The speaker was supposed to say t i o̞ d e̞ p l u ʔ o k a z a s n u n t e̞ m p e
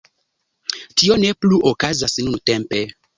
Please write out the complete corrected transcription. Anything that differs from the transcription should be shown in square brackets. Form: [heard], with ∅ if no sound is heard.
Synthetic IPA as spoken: t i o̞ [n] e̞ p l u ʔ o k a z a s n u n t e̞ m p e